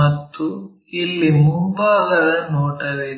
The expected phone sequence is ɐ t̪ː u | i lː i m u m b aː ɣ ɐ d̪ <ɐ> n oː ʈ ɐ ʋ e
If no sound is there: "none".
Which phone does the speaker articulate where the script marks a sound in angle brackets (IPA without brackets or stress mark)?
ɐ